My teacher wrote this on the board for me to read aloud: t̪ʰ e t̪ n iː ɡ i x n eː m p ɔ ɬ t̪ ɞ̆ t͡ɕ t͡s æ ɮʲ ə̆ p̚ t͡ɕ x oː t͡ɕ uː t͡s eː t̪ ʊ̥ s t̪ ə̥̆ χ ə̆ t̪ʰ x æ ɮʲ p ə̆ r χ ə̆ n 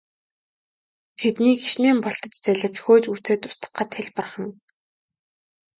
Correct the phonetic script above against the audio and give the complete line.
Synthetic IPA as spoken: t̪ʰ e t̪ n iː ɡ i ʃ n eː m p ɔ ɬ t̪ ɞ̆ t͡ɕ t͡s æ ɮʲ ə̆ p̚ t͡ɕ x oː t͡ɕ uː t͡s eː t̪ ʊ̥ s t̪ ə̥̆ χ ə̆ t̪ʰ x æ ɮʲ p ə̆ r χ ə̆ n

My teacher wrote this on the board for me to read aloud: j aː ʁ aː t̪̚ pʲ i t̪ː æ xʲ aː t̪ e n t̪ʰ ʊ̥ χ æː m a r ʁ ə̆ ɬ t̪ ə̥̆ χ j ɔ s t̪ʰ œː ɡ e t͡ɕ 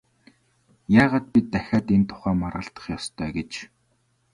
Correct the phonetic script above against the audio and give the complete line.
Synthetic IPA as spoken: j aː ʁ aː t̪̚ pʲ i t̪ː æ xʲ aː t̪ e n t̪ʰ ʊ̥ χ æː m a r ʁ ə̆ ɬ t̪ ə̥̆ χ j ɔ s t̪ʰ œː ɡ e t͡ɕ

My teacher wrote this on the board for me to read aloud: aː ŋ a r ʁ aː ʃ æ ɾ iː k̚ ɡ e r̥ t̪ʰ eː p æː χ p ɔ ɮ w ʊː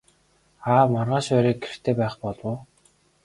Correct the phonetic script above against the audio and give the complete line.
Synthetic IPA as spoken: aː m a r ʁ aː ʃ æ ɾ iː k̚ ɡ e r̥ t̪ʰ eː p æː χ p ɔ ɮ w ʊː

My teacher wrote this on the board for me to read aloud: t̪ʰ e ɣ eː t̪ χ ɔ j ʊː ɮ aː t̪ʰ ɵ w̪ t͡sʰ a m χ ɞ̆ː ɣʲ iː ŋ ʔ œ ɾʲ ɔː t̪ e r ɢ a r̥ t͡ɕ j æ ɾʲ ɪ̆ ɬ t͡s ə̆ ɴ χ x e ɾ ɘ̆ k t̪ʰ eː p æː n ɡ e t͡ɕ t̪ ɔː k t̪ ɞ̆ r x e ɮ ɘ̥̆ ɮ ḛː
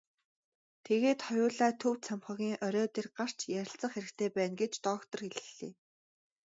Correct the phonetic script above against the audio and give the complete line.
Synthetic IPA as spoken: t̪ʰ e ɣ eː t̪ χ ɔ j ʊː ɮ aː t̪ʰ ɵ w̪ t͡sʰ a m χ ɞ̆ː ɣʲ iː ŋ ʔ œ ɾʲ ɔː t̪ e r ɢ a r̥ t͡ɕ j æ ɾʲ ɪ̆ ɬ t͡s ə̆ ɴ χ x e ɾ ɘ̆ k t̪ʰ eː p æː n ɡ e t͡ɕ t̪ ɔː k t̪ ɞ̆ r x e ɮ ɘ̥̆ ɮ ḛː

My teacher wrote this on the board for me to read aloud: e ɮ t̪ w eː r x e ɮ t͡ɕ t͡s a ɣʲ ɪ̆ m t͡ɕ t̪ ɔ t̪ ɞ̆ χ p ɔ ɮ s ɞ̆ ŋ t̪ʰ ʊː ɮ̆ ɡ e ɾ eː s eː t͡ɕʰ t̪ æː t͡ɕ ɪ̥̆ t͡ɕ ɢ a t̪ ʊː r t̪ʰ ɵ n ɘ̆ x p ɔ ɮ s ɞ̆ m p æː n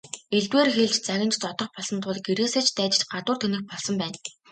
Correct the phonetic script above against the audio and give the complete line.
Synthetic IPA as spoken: e ɮ t̪ w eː r x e ɮ t͡ɕ t͡s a ɣʲ ɪ̆ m t͡ɕ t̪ ɔ t̪ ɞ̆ χ p ɔ ɮ s ɞ̆ n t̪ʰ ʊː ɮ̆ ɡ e ɾ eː s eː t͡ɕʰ t̪ æː t͡ɕ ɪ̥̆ t͡ɕ ɢ a t̪ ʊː r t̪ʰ ɵ n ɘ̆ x p ɔ ɮ s ɞ̆ m p æː n

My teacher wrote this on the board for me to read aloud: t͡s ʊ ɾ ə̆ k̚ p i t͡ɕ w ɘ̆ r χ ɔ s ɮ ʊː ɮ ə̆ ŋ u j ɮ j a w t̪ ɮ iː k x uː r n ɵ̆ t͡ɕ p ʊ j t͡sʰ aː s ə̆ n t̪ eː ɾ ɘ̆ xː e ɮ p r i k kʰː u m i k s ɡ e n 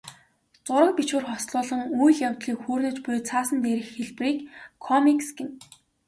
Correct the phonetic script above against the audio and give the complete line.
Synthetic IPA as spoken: t͡s ʊ ɾ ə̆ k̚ p i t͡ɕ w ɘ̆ r χ ɔ s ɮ ʊː ɮ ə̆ ŋ u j ɮ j a w t̪ ɮ iː k x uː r n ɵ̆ t͡ɕ p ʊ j t͡sʰ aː s ə̆ n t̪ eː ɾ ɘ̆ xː e ɮ p r iː k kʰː ɔ m i k s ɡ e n

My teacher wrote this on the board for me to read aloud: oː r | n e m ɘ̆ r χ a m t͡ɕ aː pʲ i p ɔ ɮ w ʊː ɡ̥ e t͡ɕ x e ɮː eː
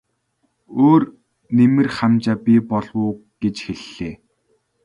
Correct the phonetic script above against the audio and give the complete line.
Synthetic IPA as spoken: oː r | n e m ɘ̆ r χ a m t͡ɕ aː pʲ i p ɔ ɮ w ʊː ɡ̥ e t͡ɕ x e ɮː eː

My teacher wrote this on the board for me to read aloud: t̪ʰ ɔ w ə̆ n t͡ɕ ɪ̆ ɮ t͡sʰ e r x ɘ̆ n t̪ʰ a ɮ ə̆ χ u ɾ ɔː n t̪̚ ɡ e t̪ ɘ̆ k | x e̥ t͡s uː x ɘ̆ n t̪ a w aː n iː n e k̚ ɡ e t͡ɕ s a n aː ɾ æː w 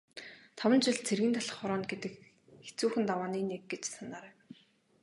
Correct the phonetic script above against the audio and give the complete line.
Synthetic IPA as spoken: t̪ʰ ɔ w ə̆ n t͡ɕ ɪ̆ ɮ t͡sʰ e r ɣ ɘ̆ n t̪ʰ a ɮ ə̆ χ ɔ ɾ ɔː n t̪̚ ɡ e t̪ ɘ̆ k | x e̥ t͡s uː x ɘ̆ n t̪ a w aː n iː n e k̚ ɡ e t͡ɕ s a n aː ɾ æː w

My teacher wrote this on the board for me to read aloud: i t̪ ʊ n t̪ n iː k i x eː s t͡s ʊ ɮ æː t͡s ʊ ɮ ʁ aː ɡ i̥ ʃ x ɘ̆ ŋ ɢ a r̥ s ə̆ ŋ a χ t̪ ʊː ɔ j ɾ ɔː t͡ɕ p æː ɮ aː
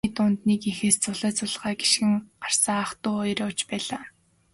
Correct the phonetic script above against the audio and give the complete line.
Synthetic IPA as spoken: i t̪ ʊ n t̪ n iː k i x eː s t͡s ʊ ɮ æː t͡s ʊ ɮ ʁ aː ɡ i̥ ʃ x ɘ̆ ŋ ɢ a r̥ s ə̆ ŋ a χ t̪ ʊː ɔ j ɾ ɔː t͡ɕ p æː ɮ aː

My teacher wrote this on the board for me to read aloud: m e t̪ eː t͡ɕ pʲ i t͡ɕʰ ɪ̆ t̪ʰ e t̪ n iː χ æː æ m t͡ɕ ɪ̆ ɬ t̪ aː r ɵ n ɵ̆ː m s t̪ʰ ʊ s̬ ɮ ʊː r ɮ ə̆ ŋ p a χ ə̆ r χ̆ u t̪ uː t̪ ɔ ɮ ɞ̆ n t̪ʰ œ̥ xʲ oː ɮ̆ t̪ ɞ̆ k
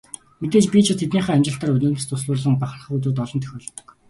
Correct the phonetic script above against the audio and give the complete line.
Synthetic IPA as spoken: m e t̪ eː t͡ɕ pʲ i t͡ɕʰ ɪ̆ t̪ʰ e t̪ n iː χ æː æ m t͡ɕ ɪ̆ ɬ t̪ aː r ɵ n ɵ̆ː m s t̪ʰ ʊ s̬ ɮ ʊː r ɮ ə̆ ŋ p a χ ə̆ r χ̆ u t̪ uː t̪ ɔ ɮ ɞ̆ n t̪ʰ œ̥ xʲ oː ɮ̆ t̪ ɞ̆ k

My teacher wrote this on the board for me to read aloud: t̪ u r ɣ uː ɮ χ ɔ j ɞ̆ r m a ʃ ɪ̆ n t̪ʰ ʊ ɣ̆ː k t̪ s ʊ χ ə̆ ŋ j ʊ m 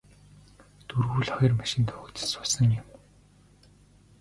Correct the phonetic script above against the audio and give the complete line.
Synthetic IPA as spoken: t̪ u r ɣ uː ɮ χ ɔ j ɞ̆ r m a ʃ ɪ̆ n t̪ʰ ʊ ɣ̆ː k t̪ s ʊ s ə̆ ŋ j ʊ m

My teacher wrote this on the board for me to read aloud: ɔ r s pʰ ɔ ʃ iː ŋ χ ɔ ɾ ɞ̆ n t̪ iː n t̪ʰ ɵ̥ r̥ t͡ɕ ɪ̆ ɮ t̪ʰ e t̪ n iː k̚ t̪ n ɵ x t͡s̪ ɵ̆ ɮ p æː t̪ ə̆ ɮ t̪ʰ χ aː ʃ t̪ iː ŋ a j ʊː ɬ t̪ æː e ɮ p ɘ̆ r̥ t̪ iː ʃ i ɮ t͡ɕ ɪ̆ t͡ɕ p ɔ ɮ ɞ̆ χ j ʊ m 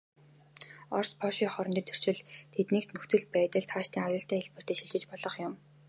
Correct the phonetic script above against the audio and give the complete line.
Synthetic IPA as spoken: ɔ r s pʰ ɔ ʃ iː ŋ χ ɔ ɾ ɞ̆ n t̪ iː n t̪ʰ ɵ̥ r̥ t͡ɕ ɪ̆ ɮ t̪ʰ e t̪ n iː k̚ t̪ n ɵ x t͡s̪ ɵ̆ ɮ p æː t̪ ə̆ ɮ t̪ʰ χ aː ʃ t̪ iː ŋ a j ʊː ɬ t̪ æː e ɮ p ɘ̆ r̥ t̪ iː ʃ i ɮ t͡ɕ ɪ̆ t͡ɕ p ɔ ɮ ɞ̆ χ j ʊ m

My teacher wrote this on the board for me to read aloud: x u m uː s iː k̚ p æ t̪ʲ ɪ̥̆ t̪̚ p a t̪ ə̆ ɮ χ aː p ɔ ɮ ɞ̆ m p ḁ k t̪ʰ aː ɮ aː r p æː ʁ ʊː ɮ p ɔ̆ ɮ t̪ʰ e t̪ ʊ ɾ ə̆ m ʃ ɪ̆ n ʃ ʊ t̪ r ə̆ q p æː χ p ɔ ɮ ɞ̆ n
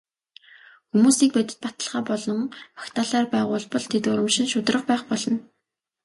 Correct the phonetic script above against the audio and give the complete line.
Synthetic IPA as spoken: x u m uː s iː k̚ p æ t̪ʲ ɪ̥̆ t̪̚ p a t̪ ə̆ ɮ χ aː p ɔ ɮ ɞ̆ ŋ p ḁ k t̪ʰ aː ɮ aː r p æː ʁ ʊː ɮ p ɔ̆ ɮ t̪ʰ e t̪ ʊ ɾ ə̆ m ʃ ɪ̆ n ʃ ʊ t̪ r ə̆ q p æː χ p ɔ ɮ ɞ̆ n

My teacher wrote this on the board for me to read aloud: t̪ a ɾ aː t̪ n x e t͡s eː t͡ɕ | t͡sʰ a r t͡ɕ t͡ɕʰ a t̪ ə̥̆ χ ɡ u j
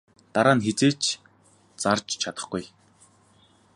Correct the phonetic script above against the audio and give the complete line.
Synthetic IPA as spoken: t̪ a ɾ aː n x e t͡s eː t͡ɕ | t͡s a r t͡ɕ t͡ɕʰ a t̪ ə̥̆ χ ɡ u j

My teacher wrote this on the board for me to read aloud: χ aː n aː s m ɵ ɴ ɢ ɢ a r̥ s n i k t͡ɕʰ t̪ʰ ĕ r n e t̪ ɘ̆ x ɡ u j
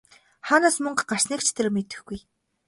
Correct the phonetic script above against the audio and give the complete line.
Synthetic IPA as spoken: χ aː n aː s m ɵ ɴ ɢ ɢ a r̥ s n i k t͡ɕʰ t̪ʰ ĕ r m e t̪ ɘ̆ x ɡ u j

